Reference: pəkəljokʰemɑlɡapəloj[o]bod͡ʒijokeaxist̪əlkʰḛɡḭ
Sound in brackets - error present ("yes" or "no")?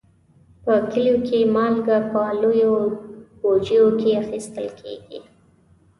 no